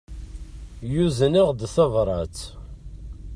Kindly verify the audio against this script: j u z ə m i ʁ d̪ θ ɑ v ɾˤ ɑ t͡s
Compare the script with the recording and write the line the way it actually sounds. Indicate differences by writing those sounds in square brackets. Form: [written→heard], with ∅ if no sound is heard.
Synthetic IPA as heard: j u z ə [m→n] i ʁ d̪ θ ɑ v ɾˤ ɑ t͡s